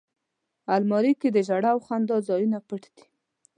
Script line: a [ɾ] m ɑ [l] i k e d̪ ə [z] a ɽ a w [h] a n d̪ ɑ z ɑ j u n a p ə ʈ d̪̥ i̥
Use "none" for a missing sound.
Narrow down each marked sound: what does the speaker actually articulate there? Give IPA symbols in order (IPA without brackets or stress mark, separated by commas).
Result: l, ɾ, ʒ, x